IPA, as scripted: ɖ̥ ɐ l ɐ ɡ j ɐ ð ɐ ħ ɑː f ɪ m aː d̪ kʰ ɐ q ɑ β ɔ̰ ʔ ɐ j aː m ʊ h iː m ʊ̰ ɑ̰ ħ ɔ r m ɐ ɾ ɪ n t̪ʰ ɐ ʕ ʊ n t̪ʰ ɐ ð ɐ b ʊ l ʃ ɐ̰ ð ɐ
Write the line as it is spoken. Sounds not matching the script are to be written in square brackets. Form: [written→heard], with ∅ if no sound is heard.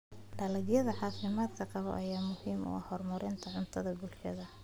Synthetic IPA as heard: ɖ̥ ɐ l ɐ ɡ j ɐ ð ɐ ħ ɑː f ɪ m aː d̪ kʰ ɐ q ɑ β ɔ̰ ʔ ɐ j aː m ʊ h iː m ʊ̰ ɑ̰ [ħ→h] ɔ r m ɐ ɾ ɪ n t̪ʰ ɐ ʕ ʊ n t̪ʰ ɐ ð ɐ b ʊ l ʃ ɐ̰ ð ɐ